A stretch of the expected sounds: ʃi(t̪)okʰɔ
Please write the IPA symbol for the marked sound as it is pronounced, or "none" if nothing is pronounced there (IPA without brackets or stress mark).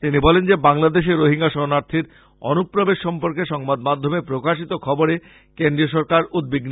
t̪